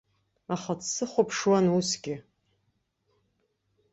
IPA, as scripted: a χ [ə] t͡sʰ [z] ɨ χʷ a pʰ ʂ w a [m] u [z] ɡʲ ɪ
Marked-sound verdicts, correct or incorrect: incorrect, incorrect, incorrect, incorrect

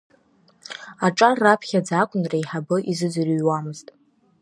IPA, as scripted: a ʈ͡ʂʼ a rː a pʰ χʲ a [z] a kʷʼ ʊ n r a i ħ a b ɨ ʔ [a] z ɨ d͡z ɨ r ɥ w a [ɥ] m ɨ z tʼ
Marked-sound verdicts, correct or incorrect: incorrect, incorrect, incorrect

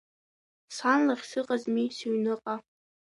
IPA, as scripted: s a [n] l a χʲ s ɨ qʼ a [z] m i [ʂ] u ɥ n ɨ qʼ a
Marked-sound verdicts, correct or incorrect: correct, correct, incorrect

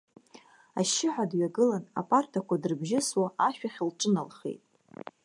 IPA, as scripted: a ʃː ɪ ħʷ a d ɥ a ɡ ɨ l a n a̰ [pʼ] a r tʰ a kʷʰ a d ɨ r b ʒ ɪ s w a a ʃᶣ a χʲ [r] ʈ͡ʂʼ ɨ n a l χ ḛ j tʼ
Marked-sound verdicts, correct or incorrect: correct, incorrect

